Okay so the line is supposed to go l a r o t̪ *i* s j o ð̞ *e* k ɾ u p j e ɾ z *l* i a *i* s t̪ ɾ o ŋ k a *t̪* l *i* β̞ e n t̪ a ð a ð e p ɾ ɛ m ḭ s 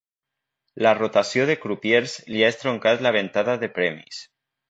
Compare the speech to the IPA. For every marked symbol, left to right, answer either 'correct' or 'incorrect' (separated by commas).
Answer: incorrect, correct, correct, incorrect, correct, incorrect